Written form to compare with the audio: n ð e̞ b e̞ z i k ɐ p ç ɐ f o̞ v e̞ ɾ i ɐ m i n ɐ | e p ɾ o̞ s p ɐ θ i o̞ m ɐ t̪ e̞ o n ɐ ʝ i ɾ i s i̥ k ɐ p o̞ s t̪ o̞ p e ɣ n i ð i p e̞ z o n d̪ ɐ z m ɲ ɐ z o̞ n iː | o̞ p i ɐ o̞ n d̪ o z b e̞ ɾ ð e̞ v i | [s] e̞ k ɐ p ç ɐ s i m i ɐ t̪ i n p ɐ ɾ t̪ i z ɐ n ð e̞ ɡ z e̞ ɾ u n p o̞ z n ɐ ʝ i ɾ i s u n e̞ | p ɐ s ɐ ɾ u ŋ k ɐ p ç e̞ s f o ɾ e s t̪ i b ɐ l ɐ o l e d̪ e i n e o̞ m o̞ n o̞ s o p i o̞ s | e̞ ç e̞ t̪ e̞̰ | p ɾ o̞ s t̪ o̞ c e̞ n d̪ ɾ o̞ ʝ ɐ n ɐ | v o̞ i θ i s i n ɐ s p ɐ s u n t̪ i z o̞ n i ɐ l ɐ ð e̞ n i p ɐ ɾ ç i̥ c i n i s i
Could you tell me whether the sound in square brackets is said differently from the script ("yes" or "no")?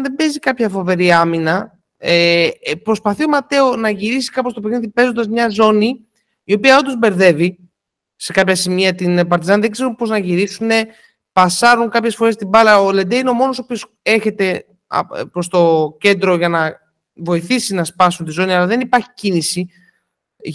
no